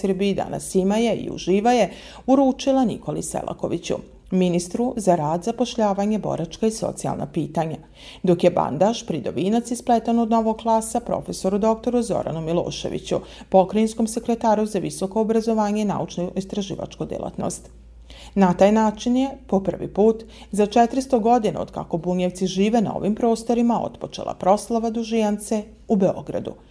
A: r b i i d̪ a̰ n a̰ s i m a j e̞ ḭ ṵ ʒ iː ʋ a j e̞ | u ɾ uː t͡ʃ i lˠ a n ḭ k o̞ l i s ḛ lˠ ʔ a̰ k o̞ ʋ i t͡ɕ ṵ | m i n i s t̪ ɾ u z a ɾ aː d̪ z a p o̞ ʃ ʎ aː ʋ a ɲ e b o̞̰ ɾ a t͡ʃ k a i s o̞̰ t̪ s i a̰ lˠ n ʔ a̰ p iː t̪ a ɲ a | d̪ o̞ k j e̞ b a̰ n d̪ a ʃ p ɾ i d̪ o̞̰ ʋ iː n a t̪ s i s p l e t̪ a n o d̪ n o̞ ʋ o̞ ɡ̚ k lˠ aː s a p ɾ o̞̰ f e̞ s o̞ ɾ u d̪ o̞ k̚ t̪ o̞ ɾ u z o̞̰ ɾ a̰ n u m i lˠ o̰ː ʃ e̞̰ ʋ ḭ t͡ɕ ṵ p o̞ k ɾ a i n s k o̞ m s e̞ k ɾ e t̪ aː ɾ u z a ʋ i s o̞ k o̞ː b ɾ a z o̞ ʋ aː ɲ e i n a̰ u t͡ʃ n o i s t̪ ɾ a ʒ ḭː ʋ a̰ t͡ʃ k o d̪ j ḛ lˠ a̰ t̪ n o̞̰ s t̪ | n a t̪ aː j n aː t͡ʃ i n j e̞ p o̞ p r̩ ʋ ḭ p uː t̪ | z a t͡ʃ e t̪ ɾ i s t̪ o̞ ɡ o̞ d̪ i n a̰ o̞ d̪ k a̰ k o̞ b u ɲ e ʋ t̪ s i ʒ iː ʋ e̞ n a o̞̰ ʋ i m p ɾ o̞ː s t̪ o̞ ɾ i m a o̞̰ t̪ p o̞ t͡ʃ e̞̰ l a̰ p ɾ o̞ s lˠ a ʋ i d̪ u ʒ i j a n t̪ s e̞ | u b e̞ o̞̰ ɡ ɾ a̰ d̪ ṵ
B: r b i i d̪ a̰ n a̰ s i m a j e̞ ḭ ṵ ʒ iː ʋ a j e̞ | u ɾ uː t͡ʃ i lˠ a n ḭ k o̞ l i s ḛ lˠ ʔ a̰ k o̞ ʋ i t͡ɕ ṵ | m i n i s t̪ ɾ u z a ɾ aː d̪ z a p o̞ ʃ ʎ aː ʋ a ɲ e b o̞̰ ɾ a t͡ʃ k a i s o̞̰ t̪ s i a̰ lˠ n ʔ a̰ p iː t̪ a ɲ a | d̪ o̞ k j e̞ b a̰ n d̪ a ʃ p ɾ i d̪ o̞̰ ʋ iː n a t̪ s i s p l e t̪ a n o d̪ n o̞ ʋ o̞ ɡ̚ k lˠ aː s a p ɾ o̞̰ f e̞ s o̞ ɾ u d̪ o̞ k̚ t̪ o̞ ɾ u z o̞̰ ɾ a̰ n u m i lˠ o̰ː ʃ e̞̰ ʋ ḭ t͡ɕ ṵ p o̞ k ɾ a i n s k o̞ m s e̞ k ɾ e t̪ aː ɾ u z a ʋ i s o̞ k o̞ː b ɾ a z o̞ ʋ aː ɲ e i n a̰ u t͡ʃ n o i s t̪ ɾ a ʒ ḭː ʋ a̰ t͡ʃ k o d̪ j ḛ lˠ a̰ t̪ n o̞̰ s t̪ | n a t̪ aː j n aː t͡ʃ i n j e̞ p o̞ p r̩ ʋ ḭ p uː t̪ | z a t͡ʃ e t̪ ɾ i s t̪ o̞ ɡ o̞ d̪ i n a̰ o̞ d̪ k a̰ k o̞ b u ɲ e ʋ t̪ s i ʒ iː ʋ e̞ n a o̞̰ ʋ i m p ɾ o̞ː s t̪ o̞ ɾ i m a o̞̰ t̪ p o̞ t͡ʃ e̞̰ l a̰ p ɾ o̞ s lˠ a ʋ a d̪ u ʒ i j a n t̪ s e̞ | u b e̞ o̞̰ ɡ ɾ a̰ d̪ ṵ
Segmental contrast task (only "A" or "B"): B